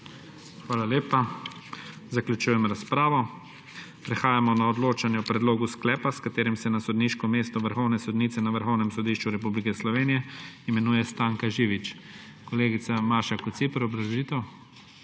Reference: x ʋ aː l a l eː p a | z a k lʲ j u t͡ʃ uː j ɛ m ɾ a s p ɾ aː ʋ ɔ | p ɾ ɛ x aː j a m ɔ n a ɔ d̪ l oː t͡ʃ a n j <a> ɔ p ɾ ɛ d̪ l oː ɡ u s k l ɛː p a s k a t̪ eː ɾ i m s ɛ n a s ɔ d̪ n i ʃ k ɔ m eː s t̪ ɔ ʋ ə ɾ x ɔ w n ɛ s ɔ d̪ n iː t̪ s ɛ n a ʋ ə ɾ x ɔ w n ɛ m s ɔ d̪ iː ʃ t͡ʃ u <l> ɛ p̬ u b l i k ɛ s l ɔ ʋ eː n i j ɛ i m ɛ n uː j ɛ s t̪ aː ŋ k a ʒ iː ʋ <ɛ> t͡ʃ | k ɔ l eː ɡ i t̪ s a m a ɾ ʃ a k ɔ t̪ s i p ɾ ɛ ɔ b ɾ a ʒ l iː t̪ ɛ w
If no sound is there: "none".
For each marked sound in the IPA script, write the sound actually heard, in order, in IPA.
ɛ, ɾ, i

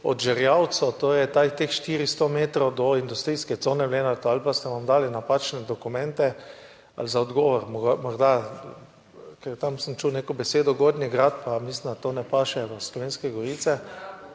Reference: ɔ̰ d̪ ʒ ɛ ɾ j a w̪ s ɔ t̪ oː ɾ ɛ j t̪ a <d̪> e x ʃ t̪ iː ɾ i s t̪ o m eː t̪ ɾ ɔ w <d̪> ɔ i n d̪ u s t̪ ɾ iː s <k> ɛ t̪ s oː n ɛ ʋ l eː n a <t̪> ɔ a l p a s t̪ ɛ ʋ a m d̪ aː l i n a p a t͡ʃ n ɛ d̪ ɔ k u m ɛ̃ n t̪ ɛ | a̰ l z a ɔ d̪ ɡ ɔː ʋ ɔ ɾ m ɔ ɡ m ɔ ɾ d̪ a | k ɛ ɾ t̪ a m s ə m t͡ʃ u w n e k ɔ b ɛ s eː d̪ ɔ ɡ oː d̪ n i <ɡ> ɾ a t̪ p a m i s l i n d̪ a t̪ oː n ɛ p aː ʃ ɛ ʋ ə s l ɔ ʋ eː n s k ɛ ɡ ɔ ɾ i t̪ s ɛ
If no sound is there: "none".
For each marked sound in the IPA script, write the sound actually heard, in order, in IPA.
t̪, d̪, k, t̪, ɡ

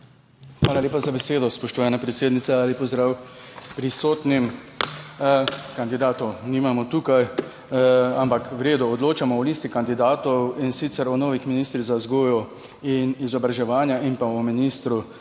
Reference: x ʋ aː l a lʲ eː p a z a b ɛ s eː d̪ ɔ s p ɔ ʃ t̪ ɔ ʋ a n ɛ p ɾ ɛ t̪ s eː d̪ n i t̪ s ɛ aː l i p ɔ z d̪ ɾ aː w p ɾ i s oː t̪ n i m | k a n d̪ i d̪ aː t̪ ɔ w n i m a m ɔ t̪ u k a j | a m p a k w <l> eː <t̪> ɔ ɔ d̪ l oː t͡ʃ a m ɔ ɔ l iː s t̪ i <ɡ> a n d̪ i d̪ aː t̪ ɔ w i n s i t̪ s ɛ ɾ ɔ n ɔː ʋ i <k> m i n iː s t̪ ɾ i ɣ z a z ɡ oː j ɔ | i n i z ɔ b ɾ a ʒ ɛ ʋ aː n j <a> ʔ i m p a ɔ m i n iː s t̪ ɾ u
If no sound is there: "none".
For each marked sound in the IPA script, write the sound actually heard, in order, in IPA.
ɾ, d̪, k, x, a

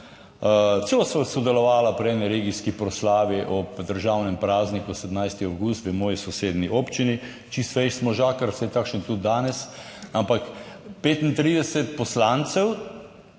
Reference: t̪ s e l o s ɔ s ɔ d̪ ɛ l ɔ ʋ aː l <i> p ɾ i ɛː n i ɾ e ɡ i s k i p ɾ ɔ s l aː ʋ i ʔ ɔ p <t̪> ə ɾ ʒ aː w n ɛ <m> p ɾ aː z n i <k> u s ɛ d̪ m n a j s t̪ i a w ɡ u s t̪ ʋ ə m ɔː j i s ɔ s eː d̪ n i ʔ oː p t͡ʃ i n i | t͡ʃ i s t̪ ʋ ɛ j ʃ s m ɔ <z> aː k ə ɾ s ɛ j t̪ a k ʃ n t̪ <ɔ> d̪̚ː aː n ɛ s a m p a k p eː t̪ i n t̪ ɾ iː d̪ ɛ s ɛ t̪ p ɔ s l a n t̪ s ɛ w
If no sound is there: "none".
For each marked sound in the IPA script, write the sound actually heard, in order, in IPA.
a, d̪, m, k, ʒ, u

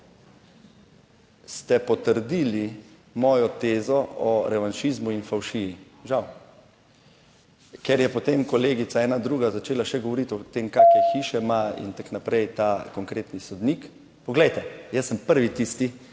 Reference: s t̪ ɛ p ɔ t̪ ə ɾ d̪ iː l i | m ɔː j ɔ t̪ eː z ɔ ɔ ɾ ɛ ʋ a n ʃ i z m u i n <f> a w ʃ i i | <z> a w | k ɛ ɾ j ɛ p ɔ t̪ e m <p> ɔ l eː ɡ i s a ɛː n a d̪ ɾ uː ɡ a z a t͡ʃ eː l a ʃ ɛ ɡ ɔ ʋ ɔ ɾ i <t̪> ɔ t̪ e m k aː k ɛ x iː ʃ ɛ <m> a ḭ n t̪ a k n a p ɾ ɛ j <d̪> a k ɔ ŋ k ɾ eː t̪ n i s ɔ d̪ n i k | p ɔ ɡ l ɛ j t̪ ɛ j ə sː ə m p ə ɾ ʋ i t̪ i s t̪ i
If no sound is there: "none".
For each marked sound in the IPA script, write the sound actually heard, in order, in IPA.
f, ʒ, k, t̪, m, t̪

